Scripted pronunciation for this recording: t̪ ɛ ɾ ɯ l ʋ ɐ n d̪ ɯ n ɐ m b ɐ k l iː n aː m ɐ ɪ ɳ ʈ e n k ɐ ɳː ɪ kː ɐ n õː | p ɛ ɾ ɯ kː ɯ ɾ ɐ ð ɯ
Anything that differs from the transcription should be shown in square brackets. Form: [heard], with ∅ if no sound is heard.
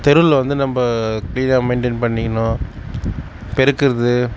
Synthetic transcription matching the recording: t̪ ɛ ɾ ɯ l ʋ ɐ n d̪ ɯ n ɐ m b ɐ k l iː n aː m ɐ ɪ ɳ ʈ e n [p] ɐ ɳː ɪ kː ɐ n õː | p ɛ ɾ ɯ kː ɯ ɾ ɐ ð ɯ